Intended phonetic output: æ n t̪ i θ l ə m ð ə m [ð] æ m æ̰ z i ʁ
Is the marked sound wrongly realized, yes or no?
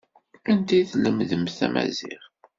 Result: yes